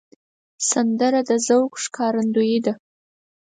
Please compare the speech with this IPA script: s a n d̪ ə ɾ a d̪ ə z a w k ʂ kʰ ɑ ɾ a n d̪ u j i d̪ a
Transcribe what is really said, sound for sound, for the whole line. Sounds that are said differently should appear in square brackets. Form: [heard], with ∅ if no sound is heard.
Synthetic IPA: s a n d̪ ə ɾ a d̪ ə z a w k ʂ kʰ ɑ ɾ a n d̪ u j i d̪ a